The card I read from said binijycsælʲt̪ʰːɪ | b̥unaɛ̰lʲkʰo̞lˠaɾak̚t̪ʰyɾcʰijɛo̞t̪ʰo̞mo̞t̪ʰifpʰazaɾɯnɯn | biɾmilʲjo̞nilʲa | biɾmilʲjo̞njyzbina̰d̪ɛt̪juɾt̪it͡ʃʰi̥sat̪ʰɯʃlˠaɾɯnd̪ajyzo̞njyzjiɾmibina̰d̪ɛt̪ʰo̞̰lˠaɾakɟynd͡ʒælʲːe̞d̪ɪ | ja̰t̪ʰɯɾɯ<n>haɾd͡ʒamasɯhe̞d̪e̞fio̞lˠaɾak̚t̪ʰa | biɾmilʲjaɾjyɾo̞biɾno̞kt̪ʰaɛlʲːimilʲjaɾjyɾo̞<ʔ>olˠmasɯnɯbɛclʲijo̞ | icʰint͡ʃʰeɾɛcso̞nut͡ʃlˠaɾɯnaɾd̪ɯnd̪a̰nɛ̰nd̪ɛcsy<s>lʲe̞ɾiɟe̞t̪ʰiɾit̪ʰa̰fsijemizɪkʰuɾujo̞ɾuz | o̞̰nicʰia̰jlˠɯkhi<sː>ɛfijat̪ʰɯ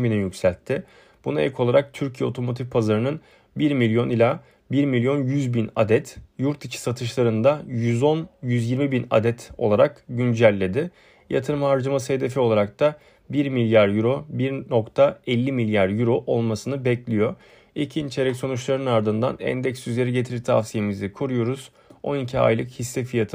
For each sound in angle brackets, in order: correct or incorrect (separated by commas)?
incorrect, correct, incorrect, correct